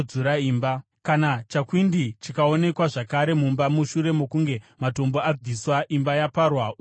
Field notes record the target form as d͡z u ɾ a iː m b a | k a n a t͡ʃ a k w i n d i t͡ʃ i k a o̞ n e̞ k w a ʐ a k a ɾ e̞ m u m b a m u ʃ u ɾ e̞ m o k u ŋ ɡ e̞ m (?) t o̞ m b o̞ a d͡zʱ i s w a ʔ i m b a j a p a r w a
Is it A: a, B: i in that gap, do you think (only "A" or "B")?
A